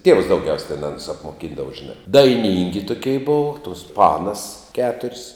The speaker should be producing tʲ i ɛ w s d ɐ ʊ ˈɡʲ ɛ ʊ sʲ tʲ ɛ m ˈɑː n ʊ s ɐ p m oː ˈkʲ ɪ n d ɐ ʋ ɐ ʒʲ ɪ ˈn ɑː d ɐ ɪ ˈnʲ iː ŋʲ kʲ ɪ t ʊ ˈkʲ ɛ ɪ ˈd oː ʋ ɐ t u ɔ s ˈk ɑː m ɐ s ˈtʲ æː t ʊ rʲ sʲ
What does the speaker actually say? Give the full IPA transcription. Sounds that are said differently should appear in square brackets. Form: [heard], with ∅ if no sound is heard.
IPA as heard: tʲ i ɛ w s d ɐ ʊ ˈɡʲ ɛ ʊ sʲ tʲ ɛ [n] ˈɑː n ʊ s ɐ p m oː ˈkʲ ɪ n d ɐ ʋ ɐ ʒʲ ɪ ˈn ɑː d ɐ ɪ ˈnʲ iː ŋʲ [ɡʲ] ɪ t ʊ ˈkʲ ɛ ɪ [ˈb] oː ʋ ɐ t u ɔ s [ˈp] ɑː [n] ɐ s [ˈkʲ] æː t ʊ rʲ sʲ